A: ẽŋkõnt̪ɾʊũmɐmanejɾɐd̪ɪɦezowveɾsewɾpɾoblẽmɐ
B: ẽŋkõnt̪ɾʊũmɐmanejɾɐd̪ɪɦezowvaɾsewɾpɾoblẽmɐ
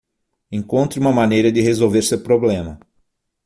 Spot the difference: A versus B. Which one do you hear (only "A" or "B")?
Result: A